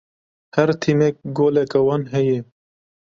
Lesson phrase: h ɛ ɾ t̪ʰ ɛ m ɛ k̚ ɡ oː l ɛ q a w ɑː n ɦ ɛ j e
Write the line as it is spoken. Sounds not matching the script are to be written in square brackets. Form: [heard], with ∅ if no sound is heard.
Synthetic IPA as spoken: h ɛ ɾ t̪ʰ [i] m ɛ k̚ ɡ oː l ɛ [k] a w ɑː n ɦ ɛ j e